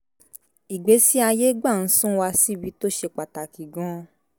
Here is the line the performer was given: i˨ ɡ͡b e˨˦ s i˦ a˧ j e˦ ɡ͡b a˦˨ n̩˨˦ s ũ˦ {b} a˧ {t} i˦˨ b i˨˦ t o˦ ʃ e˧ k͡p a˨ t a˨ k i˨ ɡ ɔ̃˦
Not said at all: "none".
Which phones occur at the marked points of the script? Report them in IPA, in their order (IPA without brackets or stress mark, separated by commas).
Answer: w, s